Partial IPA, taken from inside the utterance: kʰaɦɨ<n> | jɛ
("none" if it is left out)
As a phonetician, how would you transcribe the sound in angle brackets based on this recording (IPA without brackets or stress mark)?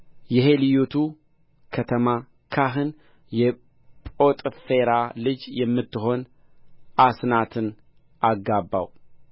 n